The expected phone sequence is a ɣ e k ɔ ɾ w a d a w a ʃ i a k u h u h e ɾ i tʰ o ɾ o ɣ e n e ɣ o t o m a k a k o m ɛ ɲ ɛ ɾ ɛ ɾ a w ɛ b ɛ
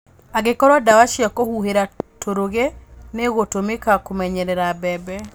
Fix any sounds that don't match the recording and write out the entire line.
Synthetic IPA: a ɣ e k ɔ ɾ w a d a w a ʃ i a k o h u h e ɾ a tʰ o ɾ o ɣ e n e ɣ o t o m e k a k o m ɛ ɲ ɛ ɾ ɛ ɾ a b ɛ b ɛ